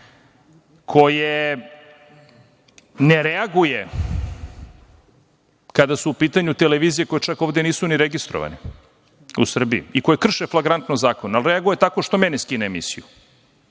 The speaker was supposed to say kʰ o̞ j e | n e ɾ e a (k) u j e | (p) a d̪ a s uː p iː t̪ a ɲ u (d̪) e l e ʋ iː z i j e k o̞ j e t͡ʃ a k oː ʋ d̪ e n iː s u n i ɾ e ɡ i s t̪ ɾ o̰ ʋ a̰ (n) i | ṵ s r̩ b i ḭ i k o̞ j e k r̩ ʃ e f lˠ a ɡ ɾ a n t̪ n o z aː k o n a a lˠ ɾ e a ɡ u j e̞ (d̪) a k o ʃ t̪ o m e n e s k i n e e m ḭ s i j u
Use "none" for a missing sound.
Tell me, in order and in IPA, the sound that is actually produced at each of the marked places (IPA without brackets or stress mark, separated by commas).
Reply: ɡ, k, t̪, n, t̪